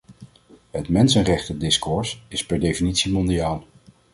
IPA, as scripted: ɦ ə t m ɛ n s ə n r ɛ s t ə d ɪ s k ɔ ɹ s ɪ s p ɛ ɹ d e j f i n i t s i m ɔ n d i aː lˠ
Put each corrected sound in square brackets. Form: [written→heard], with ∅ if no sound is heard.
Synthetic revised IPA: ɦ ə t m ɛ n s ə n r ɛ [s→χ] t ə d ɪ s k ɔ ɹ s ɪ s p ɛ ɹ d e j f i n i t s i m ɔ n d i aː lˠ